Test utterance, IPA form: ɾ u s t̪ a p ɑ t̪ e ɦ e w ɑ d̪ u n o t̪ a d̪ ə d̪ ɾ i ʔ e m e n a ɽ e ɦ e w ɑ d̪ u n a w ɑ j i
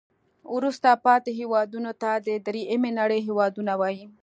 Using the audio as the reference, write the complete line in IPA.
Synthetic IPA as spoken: ɾ u s t̪ a p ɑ t̪ e ɦ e w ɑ d̪ u n o t̪ a d̪ ə d̪ ɾ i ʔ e m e n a ɽ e ɦ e w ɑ d̪ u n a w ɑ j i